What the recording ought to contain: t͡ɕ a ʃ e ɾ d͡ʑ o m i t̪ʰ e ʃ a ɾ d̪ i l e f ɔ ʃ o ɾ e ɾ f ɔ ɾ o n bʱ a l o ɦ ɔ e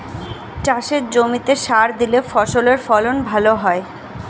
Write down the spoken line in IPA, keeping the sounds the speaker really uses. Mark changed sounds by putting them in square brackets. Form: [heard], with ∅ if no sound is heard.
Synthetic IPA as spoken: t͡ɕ a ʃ e ɾ d͡ʑ o m i [t̪] e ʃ a ɾ d̪ i l e f ɔ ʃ o [l] e ɾ f ɔ [l] o n bʱ a l o ɦ ɔ e